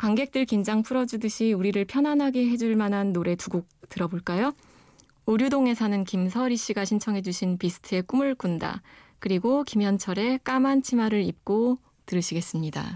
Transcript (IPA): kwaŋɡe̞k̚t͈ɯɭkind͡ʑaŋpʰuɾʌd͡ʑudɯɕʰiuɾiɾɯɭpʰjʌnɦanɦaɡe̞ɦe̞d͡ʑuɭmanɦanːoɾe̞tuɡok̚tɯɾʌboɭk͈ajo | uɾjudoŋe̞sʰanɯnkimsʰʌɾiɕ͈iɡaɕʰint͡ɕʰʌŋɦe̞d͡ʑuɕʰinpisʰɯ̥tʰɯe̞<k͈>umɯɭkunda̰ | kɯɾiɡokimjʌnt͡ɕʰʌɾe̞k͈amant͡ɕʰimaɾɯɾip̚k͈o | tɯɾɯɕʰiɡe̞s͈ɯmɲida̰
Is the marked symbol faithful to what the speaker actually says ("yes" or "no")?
yes